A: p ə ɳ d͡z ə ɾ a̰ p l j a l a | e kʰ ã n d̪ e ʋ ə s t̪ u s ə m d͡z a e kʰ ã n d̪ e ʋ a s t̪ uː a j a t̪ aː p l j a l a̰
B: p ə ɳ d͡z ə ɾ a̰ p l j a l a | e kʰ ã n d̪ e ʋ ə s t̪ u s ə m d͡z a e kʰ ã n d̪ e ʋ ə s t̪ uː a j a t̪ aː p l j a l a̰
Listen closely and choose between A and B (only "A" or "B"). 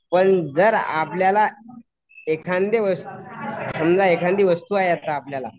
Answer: B